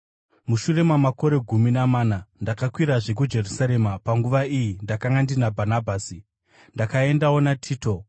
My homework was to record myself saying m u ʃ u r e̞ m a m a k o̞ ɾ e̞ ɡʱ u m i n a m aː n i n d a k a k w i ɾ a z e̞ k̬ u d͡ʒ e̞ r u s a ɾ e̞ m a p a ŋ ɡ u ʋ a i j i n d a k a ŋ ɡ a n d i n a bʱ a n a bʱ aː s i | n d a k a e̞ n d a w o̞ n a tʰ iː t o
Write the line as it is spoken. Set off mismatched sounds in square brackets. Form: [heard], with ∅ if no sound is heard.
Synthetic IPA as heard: m u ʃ u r e̞ m a m a k o̞ ɾ e̞ ɡʱ u m i n a m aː n [a] n d a k a k w i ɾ a [ʐ] e̞ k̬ u d͡ʒ e̞ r u s a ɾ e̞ m a p a ŋ ɡ u ʋ a i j i n d a k a ŋ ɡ a n d i n a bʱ a n a bʱ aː s i | n d a k a e̞ n d a w o̞ n a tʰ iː t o